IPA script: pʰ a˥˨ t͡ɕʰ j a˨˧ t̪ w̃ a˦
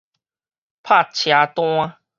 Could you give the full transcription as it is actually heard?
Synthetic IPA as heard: pʰ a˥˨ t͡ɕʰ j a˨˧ t̪ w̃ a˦